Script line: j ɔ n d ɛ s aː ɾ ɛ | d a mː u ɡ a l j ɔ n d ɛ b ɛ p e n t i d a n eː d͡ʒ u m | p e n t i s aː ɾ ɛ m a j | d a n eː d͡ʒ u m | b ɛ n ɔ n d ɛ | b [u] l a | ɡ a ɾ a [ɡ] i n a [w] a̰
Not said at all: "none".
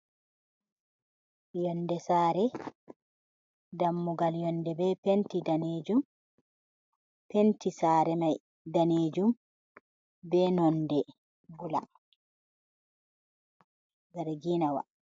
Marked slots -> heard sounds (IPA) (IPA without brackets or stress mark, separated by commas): u, ɡ, w